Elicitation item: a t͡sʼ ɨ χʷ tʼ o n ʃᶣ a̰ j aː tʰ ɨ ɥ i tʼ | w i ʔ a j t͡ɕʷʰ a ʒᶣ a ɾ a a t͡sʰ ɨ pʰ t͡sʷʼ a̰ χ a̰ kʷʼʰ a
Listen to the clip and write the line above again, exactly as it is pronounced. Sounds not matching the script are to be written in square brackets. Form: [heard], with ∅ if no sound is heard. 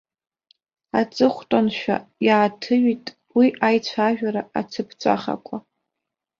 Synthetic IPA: a t͡sʼ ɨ χʷ tʼ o n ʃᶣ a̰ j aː tʰ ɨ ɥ i tʼ | w i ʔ a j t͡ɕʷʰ a ʒᶣ a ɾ a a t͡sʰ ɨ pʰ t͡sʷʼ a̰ χ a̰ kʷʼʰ a